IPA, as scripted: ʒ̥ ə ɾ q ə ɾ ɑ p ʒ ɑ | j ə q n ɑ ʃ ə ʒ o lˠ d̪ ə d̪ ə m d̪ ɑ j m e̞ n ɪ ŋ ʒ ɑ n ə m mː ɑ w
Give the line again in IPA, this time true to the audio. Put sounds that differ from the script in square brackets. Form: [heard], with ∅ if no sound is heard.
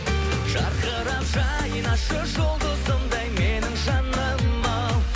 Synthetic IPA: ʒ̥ [ɑ] ɾ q ə ɾ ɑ p ʒ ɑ | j ə [∅] n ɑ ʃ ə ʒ o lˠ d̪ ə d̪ ə m d̪ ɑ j m e̞ n ɪ ŋ ʒ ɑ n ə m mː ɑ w